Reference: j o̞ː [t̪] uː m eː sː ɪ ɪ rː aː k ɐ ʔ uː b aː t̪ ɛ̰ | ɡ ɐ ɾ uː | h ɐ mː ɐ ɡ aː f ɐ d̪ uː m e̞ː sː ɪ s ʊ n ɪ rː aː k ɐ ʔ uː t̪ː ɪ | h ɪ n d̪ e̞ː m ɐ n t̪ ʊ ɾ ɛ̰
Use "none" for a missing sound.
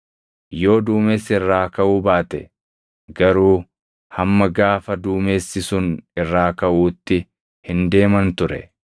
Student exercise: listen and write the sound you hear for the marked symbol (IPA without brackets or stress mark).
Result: d̪